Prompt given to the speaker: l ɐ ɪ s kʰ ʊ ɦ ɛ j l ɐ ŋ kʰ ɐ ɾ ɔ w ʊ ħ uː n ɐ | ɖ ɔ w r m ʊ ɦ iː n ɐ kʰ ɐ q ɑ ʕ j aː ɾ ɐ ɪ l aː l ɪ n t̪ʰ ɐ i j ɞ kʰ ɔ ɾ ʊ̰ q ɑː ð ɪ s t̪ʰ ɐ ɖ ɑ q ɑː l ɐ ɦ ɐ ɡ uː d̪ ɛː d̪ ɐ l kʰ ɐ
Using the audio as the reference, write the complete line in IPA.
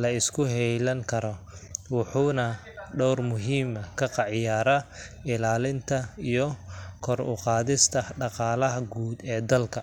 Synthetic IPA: l ɐ ɪ s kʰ ʊ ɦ ɛ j l ɐ ŋ kʰ ɐ ɾ ɔ w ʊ ħ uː n ɐ | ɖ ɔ w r m ʊ ɦ iː m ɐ kʰ ɐ q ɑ ʕ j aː ɾ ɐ ɪ l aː l ɪ n t̪ʰ ɐ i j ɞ kʰ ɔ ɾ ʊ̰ q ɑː ð ɪ s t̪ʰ ɐ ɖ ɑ q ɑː l ɐ ɦ ɐ ɡ uː d̪ ɛː d̪ ɐ l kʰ ɐ

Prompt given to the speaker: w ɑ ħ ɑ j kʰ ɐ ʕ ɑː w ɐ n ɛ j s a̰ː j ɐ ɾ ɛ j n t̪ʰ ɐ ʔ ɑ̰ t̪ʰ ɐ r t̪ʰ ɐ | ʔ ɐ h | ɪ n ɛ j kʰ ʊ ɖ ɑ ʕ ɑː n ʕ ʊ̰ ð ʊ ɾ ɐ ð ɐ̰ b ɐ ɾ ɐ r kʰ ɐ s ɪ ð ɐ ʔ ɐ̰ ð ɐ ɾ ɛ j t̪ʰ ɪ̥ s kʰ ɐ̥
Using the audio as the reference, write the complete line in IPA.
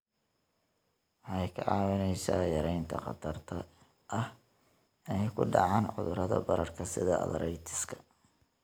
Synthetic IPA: w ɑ ħ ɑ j kʰ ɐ ʕ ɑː w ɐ n ɛ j s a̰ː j ɐ ɾ ɛ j n t̪ʰ ɐ q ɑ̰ t̪ʰ ɐ r t̪ʰ ɐ | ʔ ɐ h | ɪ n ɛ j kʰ ʊ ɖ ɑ ʕ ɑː n ʕ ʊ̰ ð ʊ ɾ ɐ ð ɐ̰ b ɐ ɾ ɐ r kʰ ɐ s ɪ ð ɐ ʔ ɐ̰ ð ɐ ɾ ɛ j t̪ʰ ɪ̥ s kʰ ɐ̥

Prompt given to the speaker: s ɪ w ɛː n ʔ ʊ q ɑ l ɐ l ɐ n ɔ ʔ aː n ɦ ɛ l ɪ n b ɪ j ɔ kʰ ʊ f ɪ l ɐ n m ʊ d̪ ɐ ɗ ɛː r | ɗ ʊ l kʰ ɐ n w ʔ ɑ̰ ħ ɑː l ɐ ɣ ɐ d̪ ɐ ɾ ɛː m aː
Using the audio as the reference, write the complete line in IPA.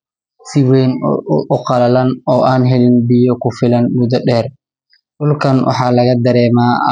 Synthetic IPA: s ɪ w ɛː n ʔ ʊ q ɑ l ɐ l ɐ n ɔː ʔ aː n ɦ ɛ l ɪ n b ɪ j ɔ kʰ ʊ f ɪ l ɐ n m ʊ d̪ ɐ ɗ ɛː r | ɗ ʊ l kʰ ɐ n w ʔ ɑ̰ ħ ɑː l ɐ ɣ ɐ d̪ ɐ ɾ ɛː m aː

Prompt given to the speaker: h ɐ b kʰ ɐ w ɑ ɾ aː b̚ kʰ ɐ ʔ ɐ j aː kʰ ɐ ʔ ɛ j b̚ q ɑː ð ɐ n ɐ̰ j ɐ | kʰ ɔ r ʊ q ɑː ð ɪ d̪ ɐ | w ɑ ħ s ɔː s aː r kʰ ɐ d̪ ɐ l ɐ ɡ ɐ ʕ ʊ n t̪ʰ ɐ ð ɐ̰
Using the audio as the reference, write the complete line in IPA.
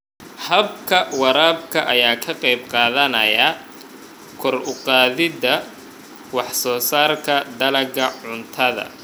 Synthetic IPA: h ɐ b kʰ ɐ w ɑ ɾ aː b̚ kʰ ɐ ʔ ɐ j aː kʰ ɐ q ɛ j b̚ q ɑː ð ɐ n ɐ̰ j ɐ | kʰ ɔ r ʊ q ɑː ð ɪ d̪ ɐ | w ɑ ħ s ɔː s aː r kʰ ɐ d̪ ɐ l ɐ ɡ ɐ ʕ ʊ n t̪ʰ ɐ ð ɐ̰

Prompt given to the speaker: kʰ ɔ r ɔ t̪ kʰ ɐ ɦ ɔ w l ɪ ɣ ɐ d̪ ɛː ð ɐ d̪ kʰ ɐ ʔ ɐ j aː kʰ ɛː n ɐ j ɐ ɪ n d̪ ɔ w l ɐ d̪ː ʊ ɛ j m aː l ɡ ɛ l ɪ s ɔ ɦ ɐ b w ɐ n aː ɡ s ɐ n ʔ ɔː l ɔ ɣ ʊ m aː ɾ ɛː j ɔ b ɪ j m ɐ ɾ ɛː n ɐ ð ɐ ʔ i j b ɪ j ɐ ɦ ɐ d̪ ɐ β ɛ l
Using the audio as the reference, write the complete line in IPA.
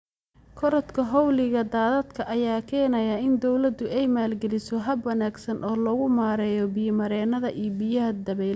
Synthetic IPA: kʰ ɔ ɾ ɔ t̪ kʰ ɐ ɦ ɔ w l ɪ ɣ ɐ d̪ aː ð ɐ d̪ kʰ ɐ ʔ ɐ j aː kʰ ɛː n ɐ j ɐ ɪ n d̪ ɔ w l ɐ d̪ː ʊ ɛ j m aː l ɡ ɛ l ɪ s ɔ ɦ ɐ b w ɐ n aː ɡ s ɐ n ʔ ɔː l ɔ ɣ ʊ m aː ɾ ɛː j ɔ b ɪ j m ɐ ɾ ɛː n ɐ ð ɐ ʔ i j b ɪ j ɐ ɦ ɐ d̪ ɐ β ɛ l

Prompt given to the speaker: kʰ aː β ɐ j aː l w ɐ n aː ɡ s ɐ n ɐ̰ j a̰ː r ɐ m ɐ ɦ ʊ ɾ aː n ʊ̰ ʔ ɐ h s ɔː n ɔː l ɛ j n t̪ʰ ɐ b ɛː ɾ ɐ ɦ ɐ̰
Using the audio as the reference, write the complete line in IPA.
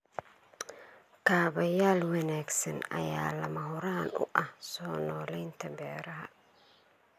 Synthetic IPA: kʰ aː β ɐ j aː l w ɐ n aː ɡ s ɐ n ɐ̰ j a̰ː l ɐ m ɐ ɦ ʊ ɾ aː n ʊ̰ ʔ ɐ h s ɔː n ɔː l ɛ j n t̪ʰ ɐ b ɛː ɾ ɐ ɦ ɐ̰

